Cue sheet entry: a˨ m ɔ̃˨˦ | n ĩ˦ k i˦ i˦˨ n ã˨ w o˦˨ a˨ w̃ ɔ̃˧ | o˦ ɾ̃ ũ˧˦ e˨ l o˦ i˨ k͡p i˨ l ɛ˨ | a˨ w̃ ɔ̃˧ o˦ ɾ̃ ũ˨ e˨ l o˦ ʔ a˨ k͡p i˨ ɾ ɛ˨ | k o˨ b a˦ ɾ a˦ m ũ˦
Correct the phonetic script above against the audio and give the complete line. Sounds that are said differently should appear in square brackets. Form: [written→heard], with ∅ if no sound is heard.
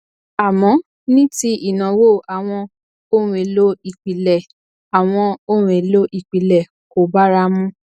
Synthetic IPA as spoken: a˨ m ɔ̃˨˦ | n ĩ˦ [k→t] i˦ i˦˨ n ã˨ w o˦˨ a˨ w̃ ɔ̃˧ | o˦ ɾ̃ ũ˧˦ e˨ l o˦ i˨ k͡p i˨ l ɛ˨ | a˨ w̃ ɔ̃˧ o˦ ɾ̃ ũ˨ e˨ l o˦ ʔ [a˨→i˨] k͡p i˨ [ɾ→l] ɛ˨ | k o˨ b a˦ ɾ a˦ m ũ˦